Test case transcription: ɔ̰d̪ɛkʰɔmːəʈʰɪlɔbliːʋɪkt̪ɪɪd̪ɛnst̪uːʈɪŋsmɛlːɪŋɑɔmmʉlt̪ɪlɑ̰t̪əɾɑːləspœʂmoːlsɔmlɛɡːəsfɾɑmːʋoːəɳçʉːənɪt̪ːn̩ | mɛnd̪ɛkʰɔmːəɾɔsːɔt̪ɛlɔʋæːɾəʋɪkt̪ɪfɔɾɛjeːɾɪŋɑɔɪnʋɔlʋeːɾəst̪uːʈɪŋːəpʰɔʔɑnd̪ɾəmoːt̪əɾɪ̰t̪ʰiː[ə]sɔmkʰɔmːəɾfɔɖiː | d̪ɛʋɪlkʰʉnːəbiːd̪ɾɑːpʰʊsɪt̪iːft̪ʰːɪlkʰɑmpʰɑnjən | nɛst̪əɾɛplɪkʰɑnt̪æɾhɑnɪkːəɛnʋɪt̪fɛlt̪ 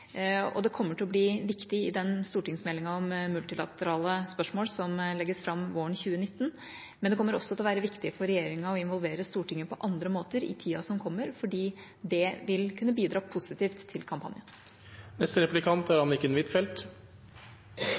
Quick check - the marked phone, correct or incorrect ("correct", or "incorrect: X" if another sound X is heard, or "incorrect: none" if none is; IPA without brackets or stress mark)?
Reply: incorrect: ɑ